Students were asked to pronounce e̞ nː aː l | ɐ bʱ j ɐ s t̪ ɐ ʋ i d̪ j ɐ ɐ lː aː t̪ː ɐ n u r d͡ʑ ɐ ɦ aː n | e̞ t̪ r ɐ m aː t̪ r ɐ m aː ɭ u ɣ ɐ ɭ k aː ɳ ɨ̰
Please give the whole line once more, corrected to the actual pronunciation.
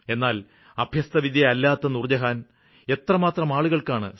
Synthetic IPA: e̞ nː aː l | ɐ bʱ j ɐ s t̪ ɐ ʋ i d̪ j ɐ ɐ lː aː t̪ː ɐ n u r d͡ʑ ɐ ɦ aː n | e̞ t̪ r ɐ m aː t̪ r ɐ m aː ɭ u ɣ ɐ ɭ k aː ɳ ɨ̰